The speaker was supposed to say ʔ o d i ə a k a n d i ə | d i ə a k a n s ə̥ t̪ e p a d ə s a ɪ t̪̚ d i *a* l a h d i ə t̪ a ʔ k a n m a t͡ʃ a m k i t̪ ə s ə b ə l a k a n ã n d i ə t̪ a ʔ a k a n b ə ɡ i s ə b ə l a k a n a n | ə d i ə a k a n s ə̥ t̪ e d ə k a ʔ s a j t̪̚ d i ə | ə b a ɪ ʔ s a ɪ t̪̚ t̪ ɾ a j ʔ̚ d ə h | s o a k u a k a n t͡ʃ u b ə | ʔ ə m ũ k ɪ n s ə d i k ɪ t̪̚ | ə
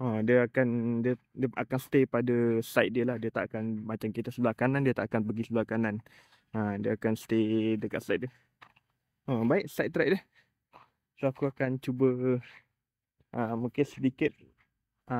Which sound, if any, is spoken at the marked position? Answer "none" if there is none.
ə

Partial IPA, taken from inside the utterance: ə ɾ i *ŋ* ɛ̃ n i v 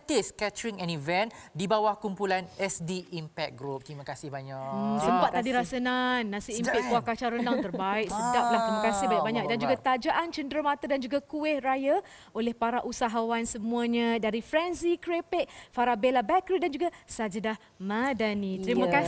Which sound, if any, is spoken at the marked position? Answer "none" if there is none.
ŋ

